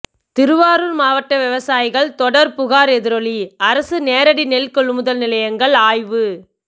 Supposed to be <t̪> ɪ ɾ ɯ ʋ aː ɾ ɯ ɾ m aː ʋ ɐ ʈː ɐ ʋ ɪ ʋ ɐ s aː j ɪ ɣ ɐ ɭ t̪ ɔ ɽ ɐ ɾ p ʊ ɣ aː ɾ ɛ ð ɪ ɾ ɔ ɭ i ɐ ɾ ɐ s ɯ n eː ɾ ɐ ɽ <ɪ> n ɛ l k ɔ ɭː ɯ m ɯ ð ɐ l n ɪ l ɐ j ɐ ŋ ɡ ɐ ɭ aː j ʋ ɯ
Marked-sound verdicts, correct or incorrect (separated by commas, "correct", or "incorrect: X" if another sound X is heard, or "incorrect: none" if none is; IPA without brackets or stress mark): correct, incorrect: i